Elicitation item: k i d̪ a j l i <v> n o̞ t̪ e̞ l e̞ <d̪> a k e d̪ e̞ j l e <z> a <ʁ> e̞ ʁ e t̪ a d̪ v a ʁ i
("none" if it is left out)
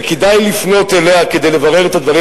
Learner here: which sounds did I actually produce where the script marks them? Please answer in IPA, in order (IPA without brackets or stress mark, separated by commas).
f, none, v, ʁ